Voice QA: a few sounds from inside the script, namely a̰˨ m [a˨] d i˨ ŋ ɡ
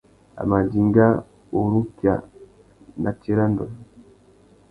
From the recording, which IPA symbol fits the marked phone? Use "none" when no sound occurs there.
a˨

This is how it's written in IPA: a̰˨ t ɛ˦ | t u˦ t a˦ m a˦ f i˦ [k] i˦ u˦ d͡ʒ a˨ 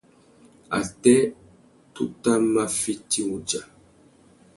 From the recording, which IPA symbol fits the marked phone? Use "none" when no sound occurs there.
t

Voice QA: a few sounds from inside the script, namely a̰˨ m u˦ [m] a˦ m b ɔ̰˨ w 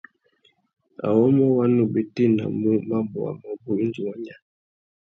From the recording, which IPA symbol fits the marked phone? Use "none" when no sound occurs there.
m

